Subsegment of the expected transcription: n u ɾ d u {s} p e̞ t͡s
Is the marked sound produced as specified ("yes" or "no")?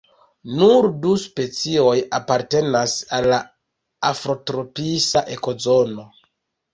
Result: yes